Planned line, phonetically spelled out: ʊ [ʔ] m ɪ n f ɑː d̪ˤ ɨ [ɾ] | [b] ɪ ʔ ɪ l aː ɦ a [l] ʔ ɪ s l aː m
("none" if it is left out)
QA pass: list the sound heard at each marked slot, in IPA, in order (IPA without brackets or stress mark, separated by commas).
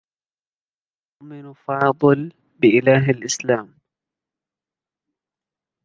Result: ʔ, l, b, l